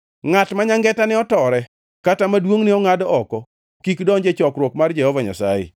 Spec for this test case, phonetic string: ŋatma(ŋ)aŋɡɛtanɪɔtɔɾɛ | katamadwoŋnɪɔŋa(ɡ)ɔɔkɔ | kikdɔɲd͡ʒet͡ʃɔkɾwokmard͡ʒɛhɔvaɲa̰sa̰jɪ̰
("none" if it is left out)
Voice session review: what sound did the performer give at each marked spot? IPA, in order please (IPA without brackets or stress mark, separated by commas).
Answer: ɲ, d